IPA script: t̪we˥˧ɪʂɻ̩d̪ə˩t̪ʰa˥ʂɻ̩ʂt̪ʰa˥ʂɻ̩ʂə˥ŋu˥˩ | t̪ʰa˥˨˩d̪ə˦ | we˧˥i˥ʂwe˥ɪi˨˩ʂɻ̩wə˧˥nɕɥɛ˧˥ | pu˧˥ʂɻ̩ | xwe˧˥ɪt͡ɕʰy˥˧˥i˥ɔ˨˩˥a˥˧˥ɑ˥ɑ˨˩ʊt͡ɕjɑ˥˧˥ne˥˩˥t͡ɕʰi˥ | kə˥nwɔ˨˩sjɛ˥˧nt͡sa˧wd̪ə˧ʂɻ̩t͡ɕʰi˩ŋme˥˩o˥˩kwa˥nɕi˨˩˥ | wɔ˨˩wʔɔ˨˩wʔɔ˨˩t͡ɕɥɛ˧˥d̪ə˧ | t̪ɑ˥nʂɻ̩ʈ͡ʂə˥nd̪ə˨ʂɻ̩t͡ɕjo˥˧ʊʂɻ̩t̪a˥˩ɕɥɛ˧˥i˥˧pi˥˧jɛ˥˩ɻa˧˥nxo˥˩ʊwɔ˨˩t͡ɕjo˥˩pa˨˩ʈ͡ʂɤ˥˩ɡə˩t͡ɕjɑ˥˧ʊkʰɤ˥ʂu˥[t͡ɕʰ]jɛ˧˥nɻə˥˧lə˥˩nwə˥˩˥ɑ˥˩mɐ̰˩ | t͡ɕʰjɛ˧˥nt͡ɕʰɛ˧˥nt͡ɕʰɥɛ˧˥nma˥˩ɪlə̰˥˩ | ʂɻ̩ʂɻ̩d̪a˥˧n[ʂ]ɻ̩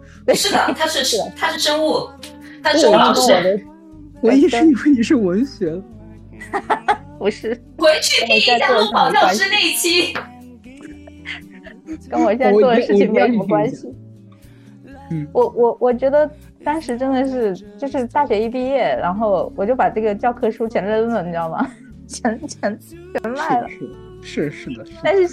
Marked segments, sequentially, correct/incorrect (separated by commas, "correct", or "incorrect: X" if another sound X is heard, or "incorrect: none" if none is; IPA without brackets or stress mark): correct, correct